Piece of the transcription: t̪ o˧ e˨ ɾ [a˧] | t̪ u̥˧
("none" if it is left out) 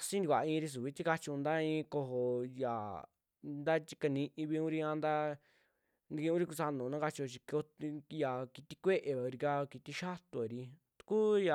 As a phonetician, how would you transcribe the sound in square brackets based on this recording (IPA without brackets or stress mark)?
i˧